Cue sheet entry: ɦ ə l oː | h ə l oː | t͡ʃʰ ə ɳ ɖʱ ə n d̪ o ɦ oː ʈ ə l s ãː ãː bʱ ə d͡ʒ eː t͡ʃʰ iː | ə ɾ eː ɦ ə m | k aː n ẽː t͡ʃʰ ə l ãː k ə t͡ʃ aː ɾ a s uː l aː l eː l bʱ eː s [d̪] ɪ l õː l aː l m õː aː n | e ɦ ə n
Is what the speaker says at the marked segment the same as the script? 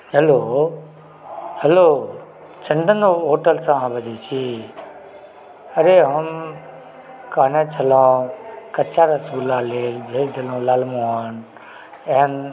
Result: yes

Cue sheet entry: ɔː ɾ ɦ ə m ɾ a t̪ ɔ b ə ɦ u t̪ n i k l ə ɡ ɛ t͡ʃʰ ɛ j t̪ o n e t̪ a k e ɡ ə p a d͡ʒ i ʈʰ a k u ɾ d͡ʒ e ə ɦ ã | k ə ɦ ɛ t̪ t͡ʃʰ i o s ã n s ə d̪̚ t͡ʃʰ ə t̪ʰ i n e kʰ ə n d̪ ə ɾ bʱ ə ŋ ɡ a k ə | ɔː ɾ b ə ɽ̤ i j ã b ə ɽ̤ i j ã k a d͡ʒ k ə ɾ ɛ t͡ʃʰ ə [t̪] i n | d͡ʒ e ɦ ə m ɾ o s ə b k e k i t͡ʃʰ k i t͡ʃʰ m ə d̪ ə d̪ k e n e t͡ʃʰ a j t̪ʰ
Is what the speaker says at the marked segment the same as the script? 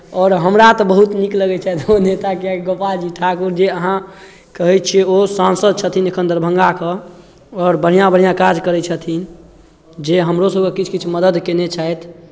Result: no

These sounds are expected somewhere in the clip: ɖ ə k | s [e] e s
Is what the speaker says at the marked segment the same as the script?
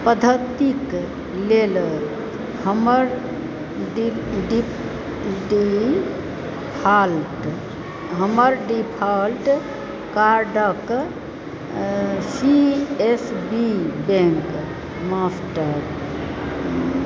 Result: no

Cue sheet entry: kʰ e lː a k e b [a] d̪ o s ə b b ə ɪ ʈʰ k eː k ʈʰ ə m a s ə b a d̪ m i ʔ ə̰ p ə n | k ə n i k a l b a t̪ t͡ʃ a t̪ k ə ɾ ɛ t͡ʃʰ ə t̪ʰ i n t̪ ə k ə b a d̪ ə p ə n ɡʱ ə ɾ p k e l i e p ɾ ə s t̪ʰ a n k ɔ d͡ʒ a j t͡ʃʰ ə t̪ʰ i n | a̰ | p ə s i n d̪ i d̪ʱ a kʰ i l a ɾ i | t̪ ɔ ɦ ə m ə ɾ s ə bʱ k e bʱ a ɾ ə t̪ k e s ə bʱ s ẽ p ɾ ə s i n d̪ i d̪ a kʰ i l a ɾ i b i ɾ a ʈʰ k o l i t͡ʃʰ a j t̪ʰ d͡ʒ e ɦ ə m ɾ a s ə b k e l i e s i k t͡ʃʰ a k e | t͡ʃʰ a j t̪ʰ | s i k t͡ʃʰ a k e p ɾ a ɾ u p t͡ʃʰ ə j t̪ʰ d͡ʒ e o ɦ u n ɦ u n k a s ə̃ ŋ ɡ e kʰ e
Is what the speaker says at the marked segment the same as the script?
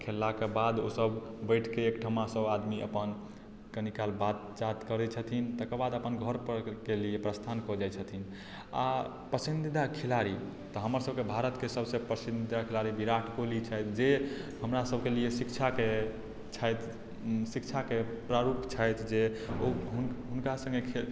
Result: yes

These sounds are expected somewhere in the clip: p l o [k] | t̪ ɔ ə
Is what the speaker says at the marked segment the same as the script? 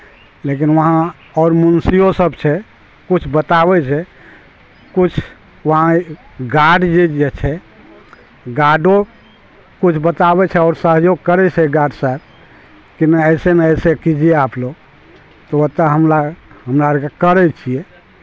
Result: no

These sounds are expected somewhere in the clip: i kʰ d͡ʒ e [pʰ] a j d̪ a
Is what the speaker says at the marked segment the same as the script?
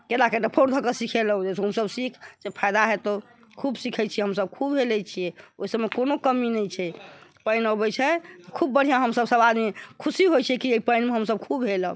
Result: yes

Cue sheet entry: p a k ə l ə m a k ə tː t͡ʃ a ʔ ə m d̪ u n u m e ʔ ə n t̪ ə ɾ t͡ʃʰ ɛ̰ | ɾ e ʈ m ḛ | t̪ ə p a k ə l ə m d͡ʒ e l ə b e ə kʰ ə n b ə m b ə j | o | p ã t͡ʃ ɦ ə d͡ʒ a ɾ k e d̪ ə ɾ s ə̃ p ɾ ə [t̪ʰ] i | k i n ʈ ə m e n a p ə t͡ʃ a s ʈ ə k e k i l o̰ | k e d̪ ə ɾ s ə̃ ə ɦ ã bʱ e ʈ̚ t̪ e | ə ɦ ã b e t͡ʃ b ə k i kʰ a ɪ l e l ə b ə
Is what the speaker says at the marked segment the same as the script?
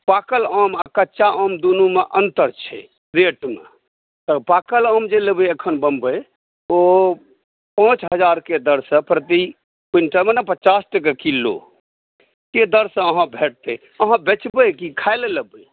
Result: no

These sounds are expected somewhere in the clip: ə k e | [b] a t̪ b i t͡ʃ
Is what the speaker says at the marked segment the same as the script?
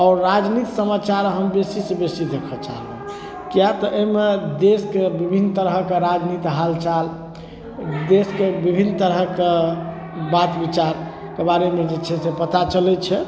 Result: yes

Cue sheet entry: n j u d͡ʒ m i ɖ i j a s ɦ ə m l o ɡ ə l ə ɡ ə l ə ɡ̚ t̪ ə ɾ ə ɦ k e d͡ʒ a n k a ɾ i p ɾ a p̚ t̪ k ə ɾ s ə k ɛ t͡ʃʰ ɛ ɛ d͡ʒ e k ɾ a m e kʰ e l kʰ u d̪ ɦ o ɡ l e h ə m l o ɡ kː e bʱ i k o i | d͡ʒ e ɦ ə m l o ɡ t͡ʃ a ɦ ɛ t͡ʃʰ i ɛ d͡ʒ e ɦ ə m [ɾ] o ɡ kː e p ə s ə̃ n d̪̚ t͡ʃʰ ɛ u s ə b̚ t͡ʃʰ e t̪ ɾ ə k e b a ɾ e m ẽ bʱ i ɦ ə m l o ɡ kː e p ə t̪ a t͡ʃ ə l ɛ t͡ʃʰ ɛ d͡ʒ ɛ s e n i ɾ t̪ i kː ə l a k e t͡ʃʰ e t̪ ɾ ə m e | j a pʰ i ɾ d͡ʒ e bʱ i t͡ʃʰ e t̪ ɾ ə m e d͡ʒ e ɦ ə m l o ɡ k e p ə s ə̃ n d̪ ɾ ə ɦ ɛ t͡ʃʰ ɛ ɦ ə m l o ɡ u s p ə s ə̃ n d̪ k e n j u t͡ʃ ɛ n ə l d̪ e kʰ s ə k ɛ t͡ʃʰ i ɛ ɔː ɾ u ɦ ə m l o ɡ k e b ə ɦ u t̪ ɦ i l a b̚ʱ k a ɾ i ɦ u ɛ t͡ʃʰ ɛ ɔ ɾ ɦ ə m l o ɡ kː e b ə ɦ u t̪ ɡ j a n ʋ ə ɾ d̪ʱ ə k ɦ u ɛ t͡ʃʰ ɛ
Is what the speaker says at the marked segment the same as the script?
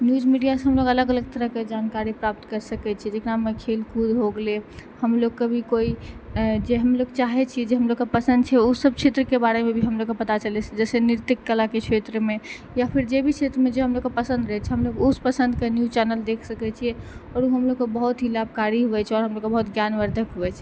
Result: no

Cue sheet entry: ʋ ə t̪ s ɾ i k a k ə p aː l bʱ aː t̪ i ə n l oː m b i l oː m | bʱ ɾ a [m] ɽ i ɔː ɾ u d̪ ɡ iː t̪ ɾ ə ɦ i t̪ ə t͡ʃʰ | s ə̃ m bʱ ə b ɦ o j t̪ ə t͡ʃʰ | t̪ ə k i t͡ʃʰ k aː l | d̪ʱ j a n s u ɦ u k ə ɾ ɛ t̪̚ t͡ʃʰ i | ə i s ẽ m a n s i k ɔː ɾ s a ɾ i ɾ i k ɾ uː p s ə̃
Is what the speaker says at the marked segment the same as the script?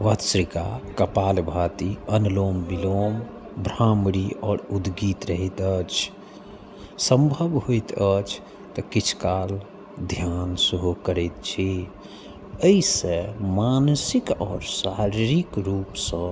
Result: yes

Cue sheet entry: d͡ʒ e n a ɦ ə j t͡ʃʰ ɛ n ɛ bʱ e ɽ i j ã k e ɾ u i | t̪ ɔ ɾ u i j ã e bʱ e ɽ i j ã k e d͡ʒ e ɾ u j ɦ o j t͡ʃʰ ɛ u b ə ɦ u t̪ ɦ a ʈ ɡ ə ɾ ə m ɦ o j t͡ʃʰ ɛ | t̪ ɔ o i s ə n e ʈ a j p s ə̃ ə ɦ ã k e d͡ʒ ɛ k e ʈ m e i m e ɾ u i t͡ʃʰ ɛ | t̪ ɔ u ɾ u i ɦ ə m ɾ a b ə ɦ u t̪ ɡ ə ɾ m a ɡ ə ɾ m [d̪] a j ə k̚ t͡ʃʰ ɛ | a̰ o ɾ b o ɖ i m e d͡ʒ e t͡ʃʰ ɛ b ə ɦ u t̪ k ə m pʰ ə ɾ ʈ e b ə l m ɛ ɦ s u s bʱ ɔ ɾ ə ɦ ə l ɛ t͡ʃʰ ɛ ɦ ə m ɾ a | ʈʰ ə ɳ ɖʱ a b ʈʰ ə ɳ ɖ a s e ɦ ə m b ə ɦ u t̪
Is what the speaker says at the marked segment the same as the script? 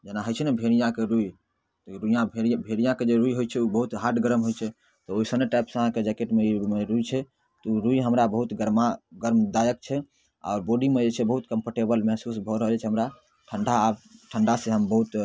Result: yes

